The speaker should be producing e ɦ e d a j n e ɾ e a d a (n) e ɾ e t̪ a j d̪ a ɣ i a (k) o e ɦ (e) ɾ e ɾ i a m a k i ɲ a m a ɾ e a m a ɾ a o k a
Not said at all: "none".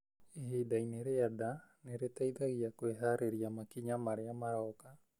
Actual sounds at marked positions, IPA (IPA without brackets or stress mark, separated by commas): n, k, a